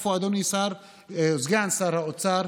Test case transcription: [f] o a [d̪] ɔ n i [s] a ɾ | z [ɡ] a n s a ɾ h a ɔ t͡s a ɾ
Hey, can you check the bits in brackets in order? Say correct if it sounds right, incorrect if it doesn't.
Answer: correct, correct, correct, correct

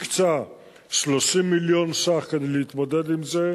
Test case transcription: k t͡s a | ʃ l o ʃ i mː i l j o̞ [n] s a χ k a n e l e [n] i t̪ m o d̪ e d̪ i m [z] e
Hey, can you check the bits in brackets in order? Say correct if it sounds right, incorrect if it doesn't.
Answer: correct, incorrect: none, correct

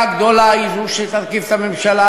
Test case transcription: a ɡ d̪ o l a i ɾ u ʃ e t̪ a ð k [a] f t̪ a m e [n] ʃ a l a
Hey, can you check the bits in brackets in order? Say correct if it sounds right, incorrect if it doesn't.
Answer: incorrect: i, incorrect: m

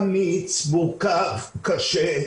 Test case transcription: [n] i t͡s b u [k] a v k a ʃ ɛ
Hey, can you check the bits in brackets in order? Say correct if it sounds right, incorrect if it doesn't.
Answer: incorrect: m, correct

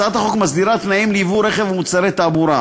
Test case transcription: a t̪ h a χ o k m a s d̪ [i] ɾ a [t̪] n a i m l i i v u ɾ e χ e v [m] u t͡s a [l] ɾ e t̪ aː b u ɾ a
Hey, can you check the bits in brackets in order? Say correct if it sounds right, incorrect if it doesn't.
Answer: correct, correct, correct, incorrect: none

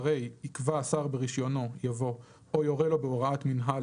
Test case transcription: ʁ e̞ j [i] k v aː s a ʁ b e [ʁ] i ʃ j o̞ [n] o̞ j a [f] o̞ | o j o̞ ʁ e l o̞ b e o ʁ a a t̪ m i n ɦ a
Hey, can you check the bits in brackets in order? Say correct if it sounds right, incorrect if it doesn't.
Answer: correct, correct, correct, incorrect: v

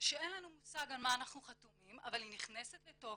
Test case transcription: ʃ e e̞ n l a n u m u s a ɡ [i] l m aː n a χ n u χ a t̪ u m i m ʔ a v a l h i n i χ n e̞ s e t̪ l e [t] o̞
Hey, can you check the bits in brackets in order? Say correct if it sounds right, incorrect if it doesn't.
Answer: incorrect: a, correct

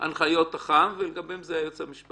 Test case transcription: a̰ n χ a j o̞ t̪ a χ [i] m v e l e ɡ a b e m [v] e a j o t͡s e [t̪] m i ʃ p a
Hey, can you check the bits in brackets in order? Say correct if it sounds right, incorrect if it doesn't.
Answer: incorrect: a, incorrect: z, incorrect: none

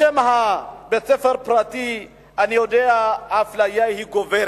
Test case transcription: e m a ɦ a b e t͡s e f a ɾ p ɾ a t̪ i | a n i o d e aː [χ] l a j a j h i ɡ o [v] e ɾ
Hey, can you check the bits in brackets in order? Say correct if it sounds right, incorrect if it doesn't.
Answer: incorrect: f, correct

